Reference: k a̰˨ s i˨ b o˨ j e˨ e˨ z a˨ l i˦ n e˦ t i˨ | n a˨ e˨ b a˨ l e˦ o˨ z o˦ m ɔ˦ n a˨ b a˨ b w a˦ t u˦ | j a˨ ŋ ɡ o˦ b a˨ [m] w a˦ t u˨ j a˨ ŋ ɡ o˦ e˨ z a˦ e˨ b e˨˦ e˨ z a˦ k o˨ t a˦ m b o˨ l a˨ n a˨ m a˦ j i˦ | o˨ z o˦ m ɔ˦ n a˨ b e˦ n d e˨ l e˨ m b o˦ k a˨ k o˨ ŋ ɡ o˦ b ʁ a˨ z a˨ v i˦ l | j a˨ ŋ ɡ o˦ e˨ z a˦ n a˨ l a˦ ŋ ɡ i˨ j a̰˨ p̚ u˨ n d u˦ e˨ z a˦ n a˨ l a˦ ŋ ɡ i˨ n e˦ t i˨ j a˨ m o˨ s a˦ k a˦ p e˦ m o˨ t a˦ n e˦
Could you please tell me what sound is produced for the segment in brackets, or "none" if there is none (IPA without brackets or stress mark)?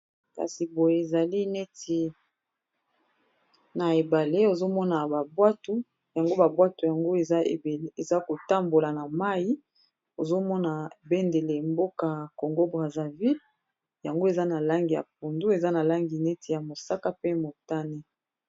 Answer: b